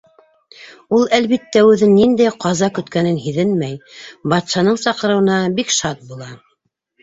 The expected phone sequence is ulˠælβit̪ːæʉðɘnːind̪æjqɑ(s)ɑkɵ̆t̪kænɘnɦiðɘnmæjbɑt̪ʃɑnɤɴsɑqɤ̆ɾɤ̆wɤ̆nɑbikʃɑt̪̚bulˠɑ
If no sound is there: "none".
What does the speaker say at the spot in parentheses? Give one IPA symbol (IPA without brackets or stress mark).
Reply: z